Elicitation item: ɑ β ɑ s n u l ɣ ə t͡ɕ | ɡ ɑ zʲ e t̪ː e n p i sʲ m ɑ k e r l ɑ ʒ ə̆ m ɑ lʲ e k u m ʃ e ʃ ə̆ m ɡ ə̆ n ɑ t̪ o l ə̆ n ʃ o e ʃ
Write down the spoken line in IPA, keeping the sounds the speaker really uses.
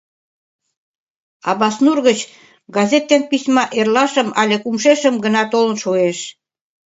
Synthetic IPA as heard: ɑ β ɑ s n u r ɣ ə t͡ɕ | ɡ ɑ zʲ e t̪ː e n p i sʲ m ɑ ʔ e r l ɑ ʃ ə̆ m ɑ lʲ e k u m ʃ e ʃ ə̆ m ɡ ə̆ n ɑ t̪ o l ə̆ n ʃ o e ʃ